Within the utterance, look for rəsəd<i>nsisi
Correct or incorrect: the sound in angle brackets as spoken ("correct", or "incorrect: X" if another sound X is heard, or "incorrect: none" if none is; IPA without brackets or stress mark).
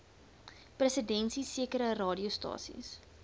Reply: incorrect: ɛ